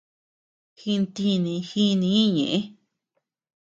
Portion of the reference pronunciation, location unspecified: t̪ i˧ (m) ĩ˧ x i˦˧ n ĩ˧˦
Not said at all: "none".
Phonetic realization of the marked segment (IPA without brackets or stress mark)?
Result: n